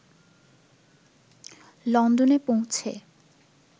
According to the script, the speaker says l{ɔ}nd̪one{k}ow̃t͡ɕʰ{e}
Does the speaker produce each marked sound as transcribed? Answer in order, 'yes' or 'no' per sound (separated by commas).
yes, no, yes